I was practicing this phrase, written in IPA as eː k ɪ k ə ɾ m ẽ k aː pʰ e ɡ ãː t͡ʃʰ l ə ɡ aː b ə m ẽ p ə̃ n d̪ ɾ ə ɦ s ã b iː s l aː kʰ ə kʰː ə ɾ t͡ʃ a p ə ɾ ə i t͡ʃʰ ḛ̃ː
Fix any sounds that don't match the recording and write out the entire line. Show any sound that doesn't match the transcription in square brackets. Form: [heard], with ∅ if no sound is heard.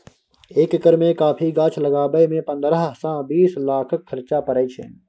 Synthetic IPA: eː k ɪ k ə ɾ m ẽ k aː pʰ [i] ɡ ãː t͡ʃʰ l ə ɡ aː b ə m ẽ p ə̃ n d̪ ɾ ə ɦ s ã b iː s l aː kʰ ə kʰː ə ɾ t͡ʃ a p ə ɾ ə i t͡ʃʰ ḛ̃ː